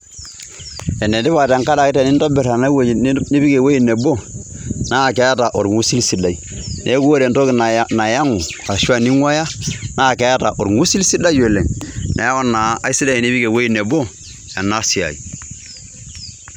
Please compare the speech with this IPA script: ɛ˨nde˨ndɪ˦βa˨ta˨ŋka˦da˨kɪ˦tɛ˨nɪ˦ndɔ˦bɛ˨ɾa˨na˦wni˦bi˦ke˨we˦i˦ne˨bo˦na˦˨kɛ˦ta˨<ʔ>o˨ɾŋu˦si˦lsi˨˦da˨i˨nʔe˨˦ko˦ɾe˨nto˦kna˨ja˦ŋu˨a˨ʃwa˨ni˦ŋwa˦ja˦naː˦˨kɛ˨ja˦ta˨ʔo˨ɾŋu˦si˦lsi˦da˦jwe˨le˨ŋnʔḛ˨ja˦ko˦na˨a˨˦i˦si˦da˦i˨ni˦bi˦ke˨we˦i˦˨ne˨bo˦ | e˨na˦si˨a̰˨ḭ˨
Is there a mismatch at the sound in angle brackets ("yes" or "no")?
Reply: no